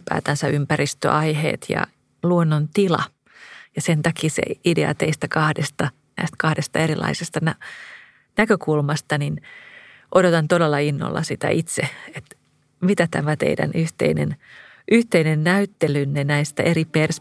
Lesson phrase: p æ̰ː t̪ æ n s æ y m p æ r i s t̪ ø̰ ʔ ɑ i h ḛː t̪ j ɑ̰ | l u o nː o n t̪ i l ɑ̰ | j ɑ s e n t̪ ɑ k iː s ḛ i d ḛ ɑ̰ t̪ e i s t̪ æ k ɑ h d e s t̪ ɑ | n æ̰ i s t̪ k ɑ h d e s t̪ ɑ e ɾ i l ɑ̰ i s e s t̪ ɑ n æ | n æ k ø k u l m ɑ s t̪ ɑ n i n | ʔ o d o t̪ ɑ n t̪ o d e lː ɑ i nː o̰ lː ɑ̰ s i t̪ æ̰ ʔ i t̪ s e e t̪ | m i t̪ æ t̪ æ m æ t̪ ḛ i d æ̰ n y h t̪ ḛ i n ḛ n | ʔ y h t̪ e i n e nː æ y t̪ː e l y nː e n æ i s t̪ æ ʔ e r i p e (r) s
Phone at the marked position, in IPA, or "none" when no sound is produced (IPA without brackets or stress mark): r